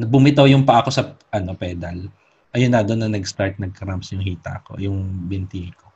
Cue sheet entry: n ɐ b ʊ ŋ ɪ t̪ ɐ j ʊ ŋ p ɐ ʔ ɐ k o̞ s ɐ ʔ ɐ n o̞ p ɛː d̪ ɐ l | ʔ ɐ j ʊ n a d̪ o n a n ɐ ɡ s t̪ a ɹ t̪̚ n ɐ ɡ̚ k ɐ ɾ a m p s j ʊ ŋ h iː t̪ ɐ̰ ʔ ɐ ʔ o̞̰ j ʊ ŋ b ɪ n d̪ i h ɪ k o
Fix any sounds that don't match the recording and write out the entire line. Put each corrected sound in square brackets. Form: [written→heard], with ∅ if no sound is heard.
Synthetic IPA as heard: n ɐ b ʊ [ŋ→m] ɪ t̪ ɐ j ʊ ŋ p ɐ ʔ ɐ k o̞ s ɐ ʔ ɐ n o̞ p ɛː d̪ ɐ l | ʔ ɐ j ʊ n a d̪ o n [a→ɐ] n ɐ ɡ s t̪ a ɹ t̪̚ n ɐ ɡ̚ k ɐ ɾ a m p s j ʊ ŋ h iː t̪ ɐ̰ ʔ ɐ [ʔ→k] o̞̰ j ʊ ŋ b ɪ n [d̪→t̪] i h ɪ k o